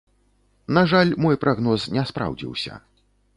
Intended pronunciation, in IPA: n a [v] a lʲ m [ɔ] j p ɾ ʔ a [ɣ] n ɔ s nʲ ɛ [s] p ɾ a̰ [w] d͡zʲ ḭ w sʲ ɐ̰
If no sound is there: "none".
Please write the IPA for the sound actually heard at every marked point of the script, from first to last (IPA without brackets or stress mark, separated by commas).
ʐ, ɔ, ɣ, s, w